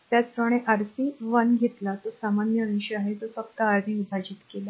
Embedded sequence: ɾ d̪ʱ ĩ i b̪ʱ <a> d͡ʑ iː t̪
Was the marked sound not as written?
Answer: no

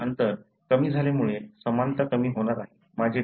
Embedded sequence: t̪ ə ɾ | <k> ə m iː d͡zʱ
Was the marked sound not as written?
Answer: no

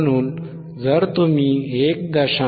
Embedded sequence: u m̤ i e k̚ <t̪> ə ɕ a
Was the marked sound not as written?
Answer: yes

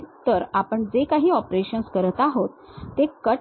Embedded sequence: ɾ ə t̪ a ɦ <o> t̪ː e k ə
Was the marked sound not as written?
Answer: no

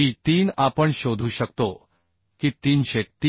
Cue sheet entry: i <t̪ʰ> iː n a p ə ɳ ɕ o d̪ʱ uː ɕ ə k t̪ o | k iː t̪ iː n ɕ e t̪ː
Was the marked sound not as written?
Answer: yes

